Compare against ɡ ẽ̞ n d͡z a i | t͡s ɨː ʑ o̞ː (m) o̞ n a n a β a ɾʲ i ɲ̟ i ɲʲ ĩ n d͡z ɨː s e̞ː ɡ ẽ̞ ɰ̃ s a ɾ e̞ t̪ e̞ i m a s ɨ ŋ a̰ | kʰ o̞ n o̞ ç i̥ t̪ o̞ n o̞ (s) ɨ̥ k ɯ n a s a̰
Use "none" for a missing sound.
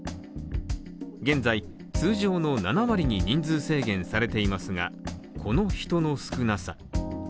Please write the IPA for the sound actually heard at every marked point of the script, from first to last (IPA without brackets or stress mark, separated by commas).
n, s